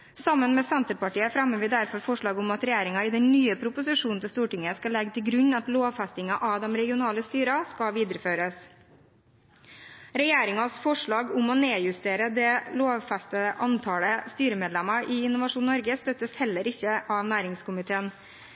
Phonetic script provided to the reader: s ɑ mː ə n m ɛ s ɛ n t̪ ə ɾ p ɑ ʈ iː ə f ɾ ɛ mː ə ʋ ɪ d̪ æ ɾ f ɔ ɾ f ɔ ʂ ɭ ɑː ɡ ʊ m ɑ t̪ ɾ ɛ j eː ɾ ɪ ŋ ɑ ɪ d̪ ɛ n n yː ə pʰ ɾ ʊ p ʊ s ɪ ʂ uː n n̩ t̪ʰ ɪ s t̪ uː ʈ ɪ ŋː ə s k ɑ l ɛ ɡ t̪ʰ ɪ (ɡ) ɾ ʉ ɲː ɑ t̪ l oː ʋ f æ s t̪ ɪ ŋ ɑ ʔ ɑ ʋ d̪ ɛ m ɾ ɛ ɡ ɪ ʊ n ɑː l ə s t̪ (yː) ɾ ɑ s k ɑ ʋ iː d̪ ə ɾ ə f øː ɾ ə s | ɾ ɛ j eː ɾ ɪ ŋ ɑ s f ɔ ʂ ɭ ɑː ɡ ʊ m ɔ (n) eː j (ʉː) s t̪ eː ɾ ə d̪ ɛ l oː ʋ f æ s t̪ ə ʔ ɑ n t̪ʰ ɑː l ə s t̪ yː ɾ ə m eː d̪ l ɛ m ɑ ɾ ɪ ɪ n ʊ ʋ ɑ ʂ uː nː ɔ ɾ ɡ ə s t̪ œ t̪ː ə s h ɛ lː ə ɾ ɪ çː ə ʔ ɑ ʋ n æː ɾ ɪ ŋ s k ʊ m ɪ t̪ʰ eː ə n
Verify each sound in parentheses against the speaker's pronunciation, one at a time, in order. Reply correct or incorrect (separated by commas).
correct, correct, correct, incorrect